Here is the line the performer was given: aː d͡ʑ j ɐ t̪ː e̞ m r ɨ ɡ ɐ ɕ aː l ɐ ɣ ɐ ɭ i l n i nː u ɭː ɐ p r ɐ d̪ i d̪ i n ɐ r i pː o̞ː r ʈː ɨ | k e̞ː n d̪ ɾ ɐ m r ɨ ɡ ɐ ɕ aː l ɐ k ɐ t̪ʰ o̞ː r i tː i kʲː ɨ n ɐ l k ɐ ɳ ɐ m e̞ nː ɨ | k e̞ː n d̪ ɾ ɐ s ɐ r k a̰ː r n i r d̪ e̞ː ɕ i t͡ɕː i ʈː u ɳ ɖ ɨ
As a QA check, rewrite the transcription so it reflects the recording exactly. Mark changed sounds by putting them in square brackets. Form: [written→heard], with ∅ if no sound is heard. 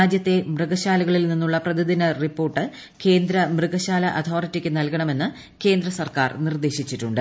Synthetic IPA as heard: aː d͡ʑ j ɐ t̪ː e̞ m r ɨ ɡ ɐ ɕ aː l ɐ ɣ ɐ ɭ i l n i nː u ɭː ɐ p r ɐ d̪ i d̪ i n ɐ r i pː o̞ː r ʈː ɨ | k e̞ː n d̪ ɾ ɐ m r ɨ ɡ ɐ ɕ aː l ɐ [k→ʔ] ɐ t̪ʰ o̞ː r i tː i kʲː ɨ n ɐ l k ɐ ɳ ɐ m e̞ nː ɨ | k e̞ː n d̪ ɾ ɐ s ɐ r k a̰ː r n i r d̪ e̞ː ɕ i t͡ɕː i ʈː u ɳ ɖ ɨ